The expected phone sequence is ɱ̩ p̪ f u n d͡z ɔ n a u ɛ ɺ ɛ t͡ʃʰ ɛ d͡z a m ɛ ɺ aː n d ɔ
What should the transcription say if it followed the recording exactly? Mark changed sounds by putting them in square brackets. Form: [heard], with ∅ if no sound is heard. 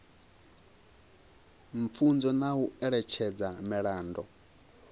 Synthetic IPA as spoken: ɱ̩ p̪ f u n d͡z ɔ n a u ɛ ɺ ɛ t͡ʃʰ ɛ d͡z a m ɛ ɺ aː n d ɔ

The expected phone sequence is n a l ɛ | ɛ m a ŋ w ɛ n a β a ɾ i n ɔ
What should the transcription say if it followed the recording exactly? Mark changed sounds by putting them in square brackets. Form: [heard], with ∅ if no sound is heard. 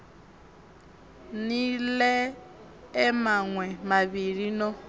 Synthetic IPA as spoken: n [i] l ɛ | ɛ m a ŋ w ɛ [m] a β [i] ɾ i n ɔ

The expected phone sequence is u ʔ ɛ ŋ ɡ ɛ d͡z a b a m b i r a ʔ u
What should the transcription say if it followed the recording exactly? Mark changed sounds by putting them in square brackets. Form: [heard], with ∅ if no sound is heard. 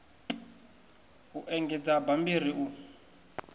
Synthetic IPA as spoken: u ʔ ɛ ŋ ɡ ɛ d͡z a b a m b i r [i] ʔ u

